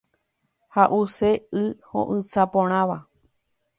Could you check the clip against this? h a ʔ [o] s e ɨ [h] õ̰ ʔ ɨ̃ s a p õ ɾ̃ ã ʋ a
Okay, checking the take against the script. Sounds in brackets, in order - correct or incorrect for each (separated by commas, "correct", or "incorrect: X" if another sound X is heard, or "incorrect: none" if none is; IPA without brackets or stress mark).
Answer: incorrect: u, correct